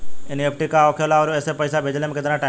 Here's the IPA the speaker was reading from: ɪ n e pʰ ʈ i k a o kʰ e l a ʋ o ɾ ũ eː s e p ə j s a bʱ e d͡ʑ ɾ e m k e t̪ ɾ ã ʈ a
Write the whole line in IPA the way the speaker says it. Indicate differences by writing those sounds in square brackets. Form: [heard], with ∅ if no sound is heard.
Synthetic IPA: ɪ n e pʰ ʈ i k a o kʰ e l a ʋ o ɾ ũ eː s e p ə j s a bʱ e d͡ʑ [l] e m k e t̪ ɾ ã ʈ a